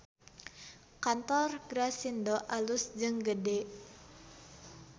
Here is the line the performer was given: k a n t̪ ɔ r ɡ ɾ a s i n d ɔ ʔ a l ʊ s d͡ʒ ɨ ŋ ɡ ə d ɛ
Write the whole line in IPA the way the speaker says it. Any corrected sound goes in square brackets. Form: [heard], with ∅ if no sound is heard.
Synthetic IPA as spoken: k a n t̪ ɔ r ɡ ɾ a s i n d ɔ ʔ a l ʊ s d͡ʒ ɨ ŋ ɡ ə d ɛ